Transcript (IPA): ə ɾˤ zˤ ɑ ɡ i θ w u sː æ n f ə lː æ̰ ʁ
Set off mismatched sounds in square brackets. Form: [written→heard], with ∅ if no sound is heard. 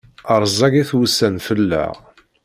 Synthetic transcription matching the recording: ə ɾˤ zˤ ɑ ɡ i θ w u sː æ n f ə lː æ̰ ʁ